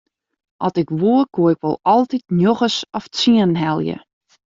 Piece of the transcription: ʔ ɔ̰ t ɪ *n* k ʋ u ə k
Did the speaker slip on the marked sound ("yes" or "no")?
yes